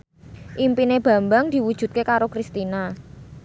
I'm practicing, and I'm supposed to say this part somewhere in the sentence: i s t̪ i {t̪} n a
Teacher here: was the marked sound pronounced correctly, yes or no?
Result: no